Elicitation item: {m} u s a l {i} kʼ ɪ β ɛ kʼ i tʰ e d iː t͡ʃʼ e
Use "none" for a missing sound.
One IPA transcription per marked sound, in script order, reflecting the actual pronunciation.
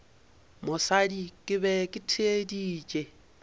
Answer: m, i

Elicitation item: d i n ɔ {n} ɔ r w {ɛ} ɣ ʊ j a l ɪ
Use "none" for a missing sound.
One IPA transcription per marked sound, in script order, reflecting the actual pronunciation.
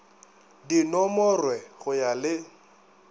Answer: m, ɛ

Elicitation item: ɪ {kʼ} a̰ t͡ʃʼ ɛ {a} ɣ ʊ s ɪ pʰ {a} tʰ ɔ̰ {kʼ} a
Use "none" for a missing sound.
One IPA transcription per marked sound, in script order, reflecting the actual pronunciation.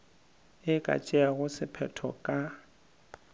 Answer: kʼ, a, ɛ, kʼ

